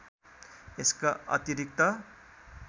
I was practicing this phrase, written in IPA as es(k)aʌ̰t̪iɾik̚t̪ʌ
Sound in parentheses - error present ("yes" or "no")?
no